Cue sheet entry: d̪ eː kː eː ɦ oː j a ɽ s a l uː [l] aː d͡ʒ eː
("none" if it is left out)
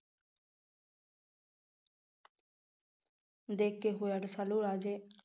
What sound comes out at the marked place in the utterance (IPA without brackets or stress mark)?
ɾ